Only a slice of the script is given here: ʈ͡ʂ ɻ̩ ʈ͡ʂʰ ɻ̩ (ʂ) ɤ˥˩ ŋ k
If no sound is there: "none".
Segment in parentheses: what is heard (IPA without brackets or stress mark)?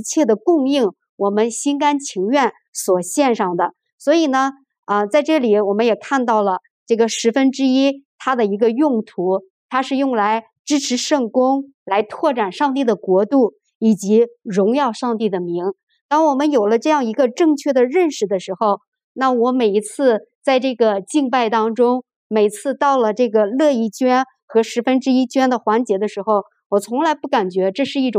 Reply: ʂ